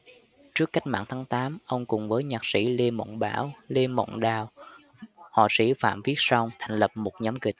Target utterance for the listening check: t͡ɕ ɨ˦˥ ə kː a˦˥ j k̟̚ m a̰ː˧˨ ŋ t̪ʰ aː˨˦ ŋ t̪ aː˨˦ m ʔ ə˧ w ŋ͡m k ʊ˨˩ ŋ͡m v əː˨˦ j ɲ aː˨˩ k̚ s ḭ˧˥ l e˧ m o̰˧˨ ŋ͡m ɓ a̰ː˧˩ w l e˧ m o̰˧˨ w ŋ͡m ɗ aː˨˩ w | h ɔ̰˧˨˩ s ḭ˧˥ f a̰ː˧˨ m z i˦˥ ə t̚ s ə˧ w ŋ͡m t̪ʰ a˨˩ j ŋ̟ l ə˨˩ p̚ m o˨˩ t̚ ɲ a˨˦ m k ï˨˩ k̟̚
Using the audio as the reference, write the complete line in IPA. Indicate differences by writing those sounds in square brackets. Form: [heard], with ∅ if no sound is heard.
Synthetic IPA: t͡ɕ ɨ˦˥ ə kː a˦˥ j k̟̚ m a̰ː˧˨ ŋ t̪ʰ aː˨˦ ŋ t̪ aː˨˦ m ʔ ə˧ w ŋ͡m k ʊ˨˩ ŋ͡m v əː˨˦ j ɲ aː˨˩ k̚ s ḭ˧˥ l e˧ m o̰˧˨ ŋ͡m ɓ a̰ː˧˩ w l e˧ m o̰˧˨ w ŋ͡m ɗ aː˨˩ w | h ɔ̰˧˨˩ s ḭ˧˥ f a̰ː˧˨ m [v] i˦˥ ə t̚ s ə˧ w ŋ͡m t̪ʰ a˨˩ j ŋ̟ l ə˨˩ p̚ m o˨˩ t̚ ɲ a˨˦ m k ï˨˩ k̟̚